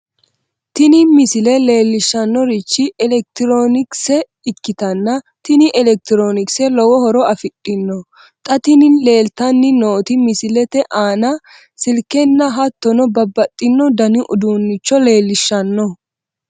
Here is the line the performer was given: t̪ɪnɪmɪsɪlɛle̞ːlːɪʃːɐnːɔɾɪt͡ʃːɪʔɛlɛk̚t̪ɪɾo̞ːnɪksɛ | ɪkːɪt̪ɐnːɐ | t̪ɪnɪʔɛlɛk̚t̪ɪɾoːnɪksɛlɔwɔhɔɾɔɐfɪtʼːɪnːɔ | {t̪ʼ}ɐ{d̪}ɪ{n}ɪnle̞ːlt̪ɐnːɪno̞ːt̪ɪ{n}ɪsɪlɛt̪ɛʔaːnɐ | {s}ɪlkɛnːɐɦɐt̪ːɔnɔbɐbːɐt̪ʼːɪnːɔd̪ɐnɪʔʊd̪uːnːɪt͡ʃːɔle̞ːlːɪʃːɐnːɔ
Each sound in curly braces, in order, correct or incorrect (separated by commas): correct, incorrect, correct, incorrect, correct